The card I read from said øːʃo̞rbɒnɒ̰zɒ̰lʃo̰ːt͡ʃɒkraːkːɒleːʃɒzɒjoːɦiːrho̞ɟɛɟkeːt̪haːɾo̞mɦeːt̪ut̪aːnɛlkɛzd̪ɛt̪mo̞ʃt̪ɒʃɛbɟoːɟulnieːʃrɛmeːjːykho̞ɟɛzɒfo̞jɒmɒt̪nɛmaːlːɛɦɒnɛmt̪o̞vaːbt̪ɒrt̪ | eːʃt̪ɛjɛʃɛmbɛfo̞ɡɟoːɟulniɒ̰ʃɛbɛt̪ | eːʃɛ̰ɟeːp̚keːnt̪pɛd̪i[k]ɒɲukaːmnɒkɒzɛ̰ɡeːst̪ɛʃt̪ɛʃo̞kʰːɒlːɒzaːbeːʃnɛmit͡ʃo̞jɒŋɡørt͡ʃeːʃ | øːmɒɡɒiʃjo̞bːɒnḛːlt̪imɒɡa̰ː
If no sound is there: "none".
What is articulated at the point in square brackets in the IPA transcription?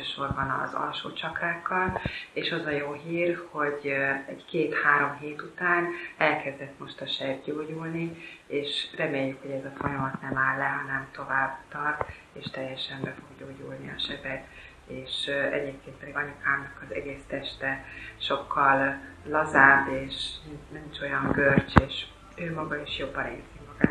ɡ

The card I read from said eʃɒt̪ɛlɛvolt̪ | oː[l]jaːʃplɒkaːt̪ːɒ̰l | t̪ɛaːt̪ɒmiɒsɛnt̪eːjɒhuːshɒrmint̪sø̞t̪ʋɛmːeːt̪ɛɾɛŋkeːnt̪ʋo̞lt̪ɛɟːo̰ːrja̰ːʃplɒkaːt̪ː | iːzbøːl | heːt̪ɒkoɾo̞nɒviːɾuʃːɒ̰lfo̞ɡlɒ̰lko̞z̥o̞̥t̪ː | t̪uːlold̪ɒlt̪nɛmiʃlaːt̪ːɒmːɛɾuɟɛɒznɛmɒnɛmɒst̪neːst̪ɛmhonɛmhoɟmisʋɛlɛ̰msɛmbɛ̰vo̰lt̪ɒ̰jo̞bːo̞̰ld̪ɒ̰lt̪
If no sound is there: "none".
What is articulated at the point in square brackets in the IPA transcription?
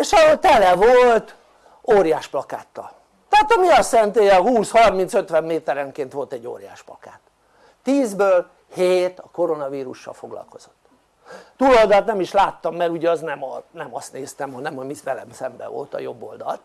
ɾ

